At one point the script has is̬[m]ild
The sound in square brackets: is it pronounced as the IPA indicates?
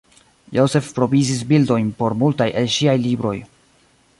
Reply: no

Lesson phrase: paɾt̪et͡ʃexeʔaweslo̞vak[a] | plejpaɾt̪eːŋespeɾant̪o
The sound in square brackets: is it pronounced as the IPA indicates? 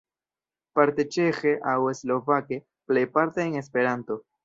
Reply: no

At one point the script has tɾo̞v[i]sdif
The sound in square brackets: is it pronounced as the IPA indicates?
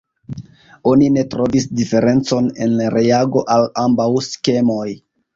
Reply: yes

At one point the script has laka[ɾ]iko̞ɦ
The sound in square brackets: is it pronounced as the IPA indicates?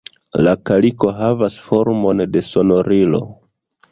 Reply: no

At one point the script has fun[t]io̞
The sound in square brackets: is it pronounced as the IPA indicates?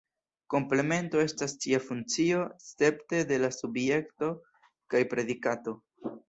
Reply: no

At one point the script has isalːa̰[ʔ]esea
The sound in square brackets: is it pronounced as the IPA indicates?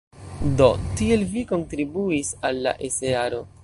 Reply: yes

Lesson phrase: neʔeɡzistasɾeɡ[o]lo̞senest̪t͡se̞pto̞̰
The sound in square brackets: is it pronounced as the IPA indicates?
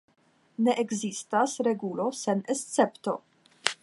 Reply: no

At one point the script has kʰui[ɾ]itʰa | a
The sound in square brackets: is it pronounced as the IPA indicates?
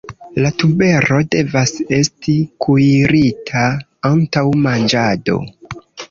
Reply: yes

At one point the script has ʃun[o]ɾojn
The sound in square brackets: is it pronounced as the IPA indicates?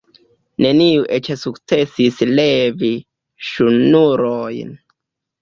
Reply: no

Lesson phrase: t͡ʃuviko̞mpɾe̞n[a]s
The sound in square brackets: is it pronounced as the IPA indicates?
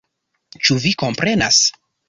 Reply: yes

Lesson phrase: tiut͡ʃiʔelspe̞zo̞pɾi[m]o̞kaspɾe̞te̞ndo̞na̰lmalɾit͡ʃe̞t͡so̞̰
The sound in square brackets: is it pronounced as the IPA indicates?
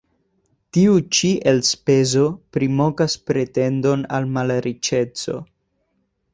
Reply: yes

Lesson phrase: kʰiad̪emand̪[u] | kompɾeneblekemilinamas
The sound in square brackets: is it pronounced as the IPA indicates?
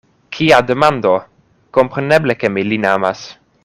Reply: no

